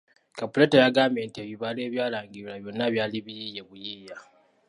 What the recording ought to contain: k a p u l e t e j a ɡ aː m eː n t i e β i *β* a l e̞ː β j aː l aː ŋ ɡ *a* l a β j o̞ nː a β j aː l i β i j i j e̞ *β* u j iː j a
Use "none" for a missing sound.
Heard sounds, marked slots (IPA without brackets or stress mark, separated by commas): β, i, β